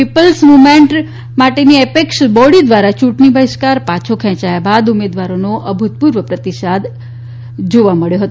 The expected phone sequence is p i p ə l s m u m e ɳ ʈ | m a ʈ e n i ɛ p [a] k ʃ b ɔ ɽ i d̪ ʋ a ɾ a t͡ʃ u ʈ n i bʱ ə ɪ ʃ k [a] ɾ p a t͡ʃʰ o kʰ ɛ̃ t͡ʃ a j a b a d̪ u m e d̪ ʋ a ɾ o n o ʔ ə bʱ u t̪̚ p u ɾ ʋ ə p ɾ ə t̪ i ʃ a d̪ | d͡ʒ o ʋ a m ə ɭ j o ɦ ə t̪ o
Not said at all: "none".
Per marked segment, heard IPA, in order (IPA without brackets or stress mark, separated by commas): e, a